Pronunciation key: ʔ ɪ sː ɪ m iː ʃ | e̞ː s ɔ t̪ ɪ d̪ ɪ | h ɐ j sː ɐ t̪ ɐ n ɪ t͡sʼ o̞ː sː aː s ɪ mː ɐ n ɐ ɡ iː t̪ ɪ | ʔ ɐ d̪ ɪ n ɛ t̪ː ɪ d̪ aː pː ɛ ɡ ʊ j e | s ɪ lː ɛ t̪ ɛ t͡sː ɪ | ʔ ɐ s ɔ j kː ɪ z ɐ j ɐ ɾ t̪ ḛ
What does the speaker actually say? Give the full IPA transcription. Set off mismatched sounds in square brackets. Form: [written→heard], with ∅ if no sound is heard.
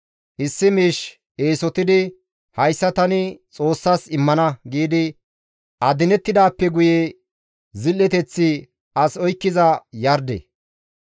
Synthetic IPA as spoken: ʔ ɪ sː ɪ m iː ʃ | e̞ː s ɔ t̪ ɪ d̪ ɪ | h ɐ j sː ɐ t̪ ɐ n ɪ t͡sʼ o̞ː sː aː s ɪ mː ɐ n ɐ ɡ iː [t̪→d̪] ɪ | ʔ ɐ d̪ ɪ n ɛ t̪ː ɪ d̪ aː pː ɛ ɡ ʊ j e | [s→z] ɪ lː ɛ t̪ ɛ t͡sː ɪ | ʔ ɐ s ɔ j kː ɪ z ɐ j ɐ ɾ [t̪→d̪] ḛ